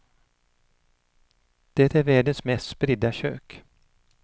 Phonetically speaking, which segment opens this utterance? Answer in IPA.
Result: d̪̥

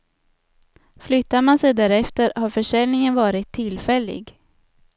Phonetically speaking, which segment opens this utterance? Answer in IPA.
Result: f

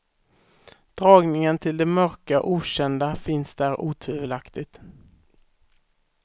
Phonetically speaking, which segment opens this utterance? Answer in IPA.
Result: d̪̥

